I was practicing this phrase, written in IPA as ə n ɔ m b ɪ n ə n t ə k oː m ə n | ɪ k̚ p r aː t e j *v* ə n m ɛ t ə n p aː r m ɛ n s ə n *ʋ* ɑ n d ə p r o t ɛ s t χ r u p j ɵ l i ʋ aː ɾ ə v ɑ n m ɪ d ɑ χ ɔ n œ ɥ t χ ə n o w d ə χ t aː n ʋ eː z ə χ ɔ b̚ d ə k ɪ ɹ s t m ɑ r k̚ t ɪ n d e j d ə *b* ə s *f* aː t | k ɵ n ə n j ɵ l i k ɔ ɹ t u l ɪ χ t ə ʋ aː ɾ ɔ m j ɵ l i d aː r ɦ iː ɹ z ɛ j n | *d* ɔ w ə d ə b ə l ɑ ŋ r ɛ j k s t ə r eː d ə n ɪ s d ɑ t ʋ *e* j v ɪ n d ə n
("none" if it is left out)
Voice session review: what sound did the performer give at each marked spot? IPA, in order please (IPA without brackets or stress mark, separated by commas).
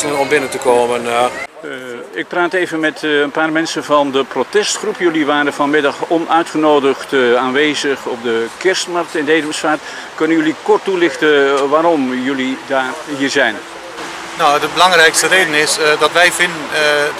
v, v, m, f, n, ɛ